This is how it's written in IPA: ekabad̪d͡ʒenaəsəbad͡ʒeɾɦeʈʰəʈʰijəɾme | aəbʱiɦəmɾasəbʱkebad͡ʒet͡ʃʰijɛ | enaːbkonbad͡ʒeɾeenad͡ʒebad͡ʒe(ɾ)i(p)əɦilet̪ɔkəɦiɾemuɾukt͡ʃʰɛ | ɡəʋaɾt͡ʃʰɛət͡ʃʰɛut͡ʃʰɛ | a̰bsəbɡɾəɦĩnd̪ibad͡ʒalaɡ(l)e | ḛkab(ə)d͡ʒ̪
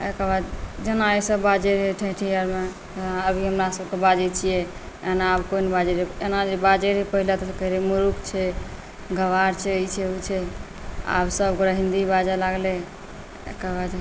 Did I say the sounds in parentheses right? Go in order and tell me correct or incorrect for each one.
correct, correct, correct, incorrect: a

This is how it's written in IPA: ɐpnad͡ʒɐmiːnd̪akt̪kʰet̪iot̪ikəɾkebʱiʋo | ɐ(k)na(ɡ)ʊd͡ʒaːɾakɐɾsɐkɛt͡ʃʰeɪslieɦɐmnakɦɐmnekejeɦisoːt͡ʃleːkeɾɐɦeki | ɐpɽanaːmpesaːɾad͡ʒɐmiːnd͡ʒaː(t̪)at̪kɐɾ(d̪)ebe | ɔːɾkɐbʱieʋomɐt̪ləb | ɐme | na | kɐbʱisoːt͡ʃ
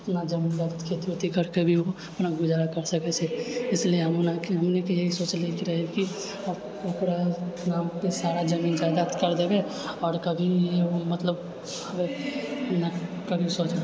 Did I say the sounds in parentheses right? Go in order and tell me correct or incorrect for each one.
incorrect: p, correct, incorrect: d̪, correct

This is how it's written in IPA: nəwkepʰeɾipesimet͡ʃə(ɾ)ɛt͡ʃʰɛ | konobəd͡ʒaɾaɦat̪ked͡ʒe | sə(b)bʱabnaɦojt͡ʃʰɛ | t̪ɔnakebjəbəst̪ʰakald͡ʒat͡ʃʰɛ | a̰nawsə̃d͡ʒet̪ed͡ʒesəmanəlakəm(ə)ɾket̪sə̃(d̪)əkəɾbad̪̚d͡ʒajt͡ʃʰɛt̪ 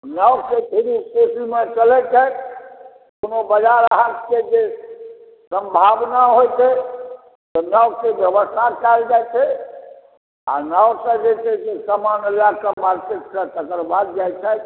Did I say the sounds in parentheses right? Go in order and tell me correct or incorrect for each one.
incorrect: l, incorrect: m, incorrect: a, incorrect: t̪

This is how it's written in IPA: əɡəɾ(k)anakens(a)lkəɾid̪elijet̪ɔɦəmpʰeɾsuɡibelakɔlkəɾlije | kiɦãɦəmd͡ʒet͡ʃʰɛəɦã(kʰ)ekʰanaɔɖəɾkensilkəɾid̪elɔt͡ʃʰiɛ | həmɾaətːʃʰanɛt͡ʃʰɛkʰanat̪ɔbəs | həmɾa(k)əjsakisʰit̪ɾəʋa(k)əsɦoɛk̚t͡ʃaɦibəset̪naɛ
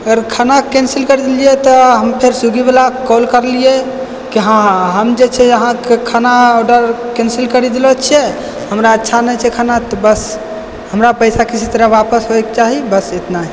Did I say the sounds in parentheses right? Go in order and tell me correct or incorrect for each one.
incorrect: kʰ, incorrect: i, incorrect: k, incorrect: p, incorrect: p

